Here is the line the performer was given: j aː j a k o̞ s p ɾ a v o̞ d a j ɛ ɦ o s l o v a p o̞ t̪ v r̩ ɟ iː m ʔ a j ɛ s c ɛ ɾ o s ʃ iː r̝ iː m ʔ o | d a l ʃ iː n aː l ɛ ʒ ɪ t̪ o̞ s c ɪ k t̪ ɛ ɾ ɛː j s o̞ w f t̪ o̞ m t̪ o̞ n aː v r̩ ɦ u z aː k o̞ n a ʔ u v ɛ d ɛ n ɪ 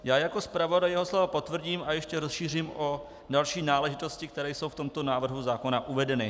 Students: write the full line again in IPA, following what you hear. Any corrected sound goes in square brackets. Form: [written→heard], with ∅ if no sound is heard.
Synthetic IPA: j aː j a k o̞ s p ɾ a v o̞ d a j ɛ ɦ o s l o v a p o̞ t̪ v r̩ ɟ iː m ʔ a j ɛ [s→ʃ] c ɛ ɾ o s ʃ iː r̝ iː m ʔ o | d a l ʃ iː n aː l ɛ ʒ ɪ t̪ o̞ s c ɪ k t̪ ɛ ɾ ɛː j s o̞ w f t̪ o̞ m t̪ o̞ n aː v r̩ ɦ u z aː k o̞ n a ʔ u v ɛ d ɛ n ɪ